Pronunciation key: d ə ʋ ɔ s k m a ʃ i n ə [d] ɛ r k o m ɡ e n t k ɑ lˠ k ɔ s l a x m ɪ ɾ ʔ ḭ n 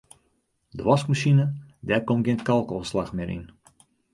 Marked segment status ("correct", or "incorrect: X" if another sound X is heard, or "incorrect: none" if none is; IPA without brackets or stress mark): correct